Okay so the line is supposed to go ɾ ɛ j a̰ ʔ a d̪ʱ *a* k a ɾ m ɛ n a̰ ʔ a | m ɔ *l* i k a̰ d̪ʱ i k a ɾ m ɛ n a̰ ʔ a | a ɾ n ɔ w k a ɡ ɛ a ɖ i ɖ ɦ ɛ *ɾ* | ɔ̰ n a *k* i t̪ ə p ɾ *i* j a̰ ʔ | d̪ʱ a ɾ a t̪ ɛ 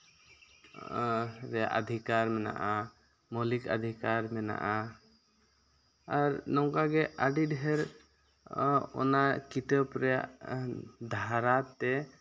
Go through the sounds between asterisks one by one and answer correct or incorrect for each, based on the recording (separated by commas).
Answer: incorrect, correct, correct, correct, incorrect